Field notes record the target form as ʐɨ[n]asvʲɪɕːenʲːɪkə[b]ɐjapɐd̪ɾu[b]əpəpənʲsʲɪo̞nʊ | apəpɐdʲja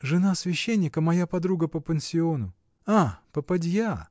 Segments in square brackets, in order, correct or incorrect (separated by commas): correct, incorrect, incorrect